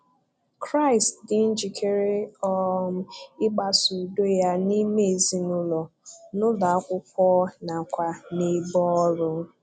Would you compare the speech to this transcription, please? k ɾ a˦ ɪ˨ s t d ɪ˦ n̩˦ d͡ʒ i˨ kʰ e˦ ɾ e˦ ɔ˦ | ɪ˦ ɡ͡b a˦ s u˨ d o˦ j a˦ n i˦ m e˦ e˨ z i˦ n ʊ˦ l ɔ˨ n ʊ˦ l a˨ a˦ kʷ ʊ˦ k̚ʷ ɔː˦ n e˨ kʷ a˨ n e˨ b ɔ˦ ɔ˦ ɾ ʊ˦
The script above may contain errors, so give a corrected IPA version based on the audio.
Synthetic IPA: k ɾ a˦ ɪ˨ s t d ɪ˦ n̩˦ d͡ʒ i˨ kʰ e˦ ɾ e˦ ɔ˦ | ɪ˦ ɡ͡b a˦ s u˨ d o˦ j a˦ n i˦ m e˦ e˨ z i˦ n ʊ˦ l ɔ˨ n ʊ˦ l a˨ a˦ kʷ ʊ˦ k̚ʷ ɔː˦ n a˨ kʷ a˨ n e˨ b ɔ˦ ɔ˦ ɾ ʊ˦